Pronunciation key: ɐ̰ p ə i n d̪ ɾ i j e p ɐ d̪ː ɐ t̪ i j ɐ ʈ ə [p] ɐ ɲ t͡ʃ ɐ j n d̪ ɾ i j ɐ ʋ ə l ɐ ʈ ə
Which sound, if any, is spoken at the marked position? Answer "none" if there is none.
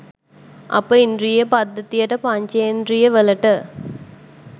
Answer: p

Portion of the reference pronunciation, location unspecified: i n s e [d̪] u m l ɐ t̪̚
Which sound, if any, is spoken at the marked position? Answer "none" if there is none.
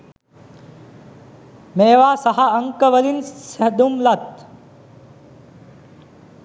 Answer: d̪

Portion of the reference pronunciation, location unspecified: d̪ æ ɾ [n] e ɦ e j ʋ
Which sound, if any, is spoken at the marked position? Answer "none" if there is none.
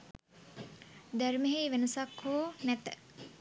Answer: m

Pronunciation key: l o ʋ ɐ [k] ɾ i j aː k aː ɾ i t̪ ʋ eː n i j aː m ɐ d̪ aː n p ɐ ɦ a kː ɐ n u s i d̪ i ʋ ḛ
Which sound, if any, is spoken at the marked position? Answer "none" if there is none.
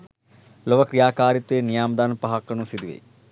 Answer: k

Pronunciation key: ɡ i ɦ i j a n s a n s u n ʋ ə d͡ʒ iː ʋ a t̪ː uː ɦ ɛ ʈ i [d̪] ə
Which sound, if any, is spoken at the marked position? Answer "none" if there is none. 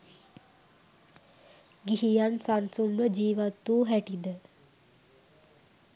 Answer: d̪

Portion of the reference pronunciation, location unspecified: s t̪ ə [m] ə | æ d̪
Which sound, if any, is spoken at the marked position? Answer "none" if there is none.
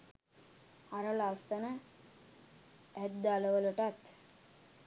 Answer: n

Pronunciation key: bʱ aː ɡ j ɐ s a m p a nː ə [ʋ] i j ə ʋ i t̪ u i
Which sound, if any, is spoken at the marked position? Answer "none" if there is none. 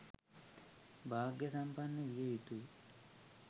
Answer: ʋ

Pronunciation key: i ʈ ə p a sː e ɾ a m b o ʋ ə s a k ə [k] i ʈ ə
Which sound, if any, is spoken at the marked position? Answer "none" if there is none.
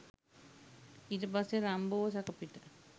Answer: p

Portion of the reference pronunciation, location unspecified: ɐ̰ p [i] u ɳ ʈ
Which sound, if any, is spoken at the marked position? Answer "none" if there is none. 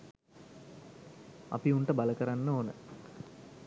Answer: i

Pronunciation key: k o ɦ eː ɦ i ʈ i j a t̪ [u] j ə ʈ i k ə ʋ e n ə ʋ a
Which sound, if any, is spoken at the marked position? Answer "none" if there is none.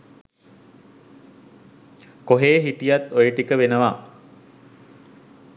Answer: o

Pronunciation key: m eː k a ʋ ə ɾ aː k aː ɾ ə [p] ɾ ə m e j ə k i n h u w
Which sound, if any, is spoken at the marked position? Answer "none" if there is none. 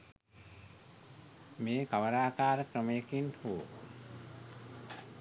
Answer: k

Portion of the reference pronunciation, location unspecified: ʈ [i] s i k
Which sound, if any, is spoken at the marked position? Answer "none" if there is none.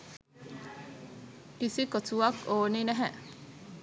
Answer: i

